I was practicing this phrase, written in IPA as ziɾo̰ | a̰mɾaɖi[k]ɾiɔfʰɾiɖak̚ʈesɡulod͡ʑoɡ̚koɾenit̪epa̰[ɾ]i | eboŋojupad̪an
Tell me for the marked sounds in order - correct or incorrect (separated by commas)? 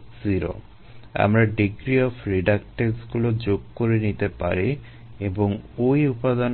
incorrect, correct